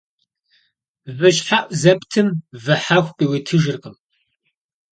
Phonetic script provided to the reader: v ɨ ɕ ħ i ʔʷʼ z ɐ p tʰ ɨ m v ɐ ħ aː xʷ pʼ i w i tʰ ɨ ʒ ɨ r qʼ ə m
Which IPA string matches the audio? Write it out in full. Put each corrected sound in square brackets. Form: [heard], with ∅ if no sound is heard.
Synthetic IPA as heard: v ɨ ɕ ħ [a] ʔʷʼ z ɐ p tʰ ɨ m v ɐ ħ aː xʷ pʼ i w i tʰ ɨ ʒ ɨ r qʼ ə m